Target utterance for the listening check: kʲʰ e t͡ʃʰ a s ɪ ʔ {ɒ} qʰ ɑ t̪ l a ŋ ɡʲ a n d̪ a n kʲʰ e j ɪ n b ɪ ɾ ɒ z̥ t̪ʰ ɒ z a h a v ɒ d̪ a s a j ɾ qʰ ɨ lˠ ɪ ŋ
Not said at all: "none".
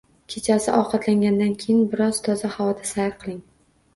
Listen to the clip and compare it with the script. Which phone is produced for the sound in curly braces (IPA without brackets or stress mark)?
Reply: ɒ